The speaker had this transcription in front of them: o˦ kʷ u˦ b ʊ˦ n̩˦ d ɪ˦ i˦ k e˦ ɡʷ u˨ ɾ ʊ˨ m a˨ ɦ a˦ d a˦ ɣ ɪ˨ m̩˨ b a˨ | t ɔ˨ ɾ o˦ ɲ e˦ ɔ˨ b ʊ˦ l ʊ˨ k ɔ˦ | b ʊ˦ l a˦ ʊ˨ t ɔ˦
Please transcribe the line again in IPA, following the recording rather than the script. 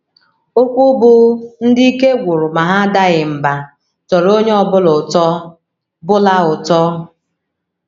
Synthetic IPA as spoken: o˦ kʷ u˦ b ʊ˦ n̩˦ d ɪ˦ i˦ k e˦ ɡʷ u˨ ɾ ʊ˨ m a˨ ɦ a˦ d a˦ ɣ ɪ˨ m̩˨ b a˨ | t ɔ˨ ɾ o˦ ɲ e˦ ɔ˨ b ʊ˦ l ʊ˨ t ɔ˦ | b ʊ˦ l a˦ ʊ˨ t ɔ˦